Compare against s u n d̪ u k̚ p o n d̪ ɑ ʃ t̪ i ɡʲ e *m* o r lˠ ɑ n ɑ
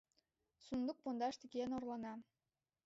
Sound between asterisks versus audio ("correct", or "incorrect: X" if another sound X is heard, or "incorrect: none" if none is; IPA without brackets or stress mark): incorrect: n